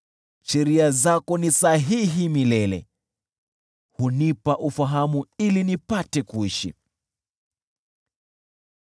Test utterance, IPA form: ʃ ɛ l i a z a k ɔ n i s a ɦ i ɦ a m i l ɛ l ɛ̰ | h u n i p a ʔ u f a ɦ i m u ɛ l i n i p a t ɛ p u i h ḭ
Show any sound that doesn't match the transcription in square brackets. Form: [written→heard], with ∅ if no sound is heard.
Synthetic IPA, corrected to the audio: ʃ ɛ [l→ɾ] i a z a k ɔ n i s a ɦ i ɦ [a→i] m i l ɛ l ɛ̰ | h u n i p a ʔ u f a ɦ [i→a] m u [ɛ→i] l i n i p a t ɛ [p→k] u i [h→ʃ] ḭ